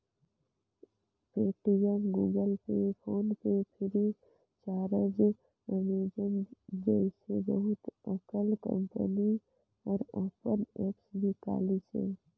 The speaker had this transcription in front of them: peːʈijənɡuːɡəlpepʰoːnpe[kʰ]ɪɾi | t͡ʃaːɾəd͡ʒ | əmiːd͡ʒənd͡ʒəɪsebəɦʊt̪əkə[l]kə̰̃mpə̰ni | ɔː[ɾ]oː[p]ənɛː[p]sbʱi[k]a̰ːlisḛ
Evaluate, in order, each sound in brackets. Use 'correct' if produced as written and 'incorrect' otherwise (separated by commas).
incorrect, correct, correct, correct, correct, correct